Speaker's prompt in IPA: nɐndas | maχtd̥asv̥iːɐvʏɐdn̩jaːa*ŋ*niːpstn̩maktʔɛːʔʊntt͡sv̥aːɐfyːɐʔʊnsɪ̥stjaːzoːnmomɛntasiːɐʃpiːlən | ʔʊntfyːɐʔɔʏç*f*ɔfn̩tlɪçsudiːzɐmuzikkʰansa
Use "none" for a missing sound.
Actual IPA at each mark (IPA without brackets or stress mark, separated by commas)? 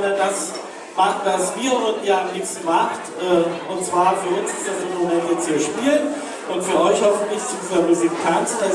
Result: m, h